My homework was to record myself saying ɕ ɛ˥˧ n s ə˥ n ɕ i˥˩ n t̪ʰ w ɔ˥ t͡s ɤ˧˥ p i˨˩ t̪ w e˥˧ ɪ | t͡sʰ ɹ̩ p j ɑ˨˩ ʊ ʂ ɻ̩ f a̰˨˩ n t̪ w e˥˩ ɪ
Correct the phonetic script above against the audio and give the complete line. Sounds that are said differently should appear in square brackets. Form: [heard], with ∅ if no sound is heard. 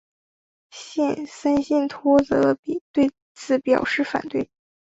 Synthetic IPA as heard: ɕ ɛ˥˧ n s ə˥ n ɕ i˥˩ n t̪ʰ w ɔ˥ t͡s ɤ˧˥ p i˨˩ t̪ w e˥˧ ɪ | t͡sʰ ɹ̩ p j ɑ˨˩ ʊ ʂ ɻ̩ f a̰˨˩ n t̪ w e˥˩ ɪ